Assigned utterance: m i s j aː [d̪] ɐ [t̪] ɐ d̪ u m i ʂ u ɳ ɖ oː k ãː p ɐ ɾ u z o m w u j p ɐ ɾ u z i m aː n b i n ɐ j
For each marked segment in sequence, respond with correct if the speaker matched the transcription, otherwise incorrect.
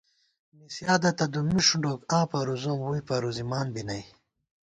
correct, correct

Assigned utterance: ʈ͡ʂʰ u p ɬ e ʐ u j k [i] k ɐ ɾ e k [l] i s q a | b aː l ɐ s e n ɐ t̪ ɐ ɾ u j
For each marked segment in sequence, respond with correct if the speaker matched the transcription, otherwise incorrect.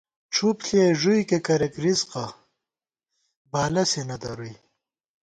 incorrect: e, incorrect: ɾ

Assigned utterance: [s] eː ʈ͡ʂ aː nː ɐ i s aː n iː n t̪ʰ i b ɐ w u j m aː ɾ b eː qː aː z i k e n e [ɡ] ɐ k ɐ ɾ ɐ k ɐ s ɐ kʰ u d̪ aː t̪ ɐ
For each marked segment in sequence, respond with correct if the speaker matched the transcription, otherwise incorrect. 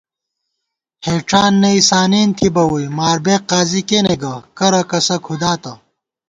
incorrect: h, correct

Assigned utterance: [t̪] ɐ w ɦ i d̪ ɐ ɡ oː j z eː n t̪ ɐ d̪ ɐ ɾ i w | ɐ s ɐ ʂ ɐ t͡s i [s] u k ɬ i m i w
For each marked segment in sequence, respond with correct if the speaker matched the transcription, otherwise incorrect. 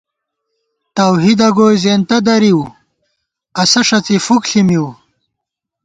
correct, incorrect: f

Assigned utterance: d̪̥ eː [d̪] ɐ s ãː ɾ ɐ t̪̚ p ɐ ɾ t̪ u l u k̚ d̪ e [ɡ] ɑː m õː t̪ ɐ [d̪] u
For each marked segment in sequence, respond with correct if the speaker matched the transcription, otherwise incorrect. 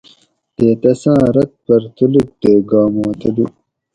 incorrect: t̪, correct, correct

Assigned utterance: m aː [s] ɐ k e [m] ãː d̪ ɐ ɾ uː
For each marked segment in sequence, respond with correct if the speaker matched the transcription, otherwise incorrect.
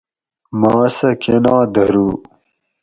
correct, incorrect: n

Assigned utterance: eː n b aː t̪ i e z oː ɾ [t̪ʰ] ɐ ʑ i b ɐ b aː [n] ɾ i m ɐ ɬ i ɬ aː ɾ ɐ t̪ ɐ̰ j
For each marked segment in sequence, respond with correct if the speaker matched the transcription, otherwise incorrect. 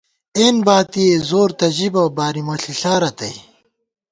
incorrect: t̪, incorrect: none

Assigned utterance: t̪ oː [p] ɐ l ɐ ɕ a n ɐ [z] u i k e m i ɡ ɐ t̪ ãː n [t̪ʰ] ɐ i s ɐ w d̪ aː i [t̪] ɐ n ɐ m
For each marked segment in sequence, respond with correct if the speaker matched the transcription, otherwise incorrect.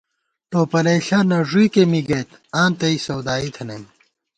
correct, incorrect: ʐ, incorrect: t̪, incorrect: t̪ʰ

